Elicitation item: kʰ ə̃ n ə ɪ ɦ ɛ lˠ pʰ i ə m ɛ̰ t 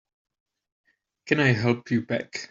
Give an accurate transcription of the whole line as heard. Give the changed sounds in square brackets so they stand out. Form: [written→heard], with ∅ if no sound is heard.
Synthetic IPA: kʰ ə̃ n [ə→a] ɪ ɦ ɛ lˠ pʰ [i→j] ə [m→b] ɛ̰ [t→k]